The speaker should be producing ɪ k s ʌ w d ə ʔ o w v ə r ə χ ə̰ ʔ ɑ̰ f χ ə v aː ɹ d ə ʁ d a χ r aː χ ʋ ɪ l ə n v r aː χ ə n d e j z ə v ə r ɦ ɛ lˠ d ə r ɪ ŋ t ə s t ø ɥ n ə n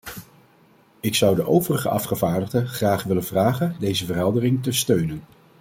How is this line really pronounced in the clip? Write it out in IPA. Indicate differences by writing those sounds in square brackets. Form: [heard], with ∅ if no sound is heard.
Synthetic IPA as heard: ɪ k s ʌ w d ə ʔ o w v ə r ə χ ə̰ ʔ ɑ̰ f χ ə v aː ɹ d ə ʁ d [ə] χ r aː χ ʋ ɪ l ə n v r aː χ ə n d e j z ə v ə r ɦ ɛ lˠ d ə r ɪ ŋ t ə s t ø ɥ n ə n

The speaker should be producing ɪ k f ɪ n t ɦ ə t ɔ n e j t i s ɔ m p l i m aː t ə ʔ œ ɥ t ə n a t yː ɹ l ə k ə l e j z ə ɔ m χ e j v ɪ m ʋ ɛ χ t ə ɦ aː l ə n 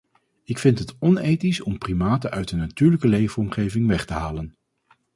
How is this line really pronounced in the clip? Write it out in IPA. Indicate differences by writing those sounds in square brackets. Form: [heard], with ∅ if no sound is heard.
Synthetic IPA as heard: ɪ k f ɪ n t ɦ ə t ɔ n e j t i s ɔ m p [r] i m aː t ə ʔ œ ɥ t ə n a t yː ɹ l ə k ə l e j [v] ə ɔ m χ e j v ɪ [ŋ] ʋ ɛ χ t ə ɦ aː l ə n

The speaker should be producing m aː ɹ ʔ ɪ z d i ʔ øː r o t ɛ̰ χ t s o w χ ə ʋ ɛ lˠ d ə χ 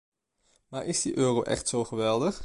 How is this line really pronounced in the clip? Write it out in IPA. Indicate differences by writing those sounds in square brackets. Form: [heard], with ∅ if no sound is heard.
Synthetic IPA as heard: m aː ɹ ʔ ɪ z d i ʔ øː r o [ʔ] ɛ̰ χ t s o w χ ə ʋ ɛ lˠ d ə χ

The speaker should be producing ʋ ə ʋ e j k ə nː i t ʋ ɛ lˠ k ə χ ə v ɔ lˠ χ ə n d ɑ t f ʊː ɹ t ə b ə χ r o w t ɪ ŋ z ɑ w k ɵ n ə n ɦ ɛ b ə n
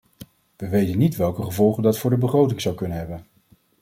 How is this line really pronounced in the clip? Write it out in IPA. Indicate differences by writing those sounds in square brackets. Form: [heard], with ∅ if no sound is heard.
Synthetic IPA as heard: ʋ ə ʋ e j [t] ə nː i t ʋ ɛ lˠ k ə χ ə v ɔ lˠ χ ə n d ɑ t f ʊː ɹ [d] ə b ə χ r o w t ɪ ŋ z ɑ w k ɵ n ə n ɦ ɛ b ə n

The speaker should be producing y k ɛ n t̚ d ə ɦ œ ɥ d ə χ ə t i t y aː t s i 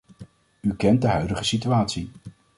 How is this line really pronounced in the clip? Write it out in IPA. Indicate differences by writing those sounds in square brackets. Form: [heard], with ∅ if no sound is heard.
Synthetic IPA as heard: y k ɛ n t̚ d ə ɦ œ ɥ d ə χ ə [s] i t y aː t s i

